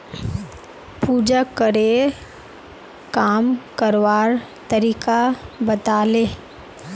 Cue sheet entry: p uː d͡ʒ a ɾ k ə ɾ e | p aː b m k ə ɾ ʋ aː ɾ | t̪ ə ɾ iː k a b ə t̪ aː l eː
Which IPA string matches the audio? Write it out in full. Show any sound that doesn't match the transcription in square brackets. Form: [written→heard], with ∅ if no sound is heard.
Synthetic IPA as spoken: p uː d͡ʒ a [ɾ→∅] k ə ɾ e | [p→k] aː [b→∅] m k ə ɾ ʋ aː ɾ | t̪ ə ɾ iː k a b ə t̪ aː l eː